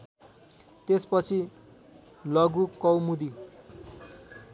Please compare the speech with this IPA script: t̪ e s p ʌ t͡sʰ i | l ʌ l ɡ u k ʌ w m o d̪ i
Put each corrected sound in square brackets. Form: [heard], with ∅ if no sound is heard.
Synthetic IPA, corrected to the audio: t̪ e s p ʌ t͡sʰ i | l ʌ [∅] ɡ u k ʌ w m [u] d̪ i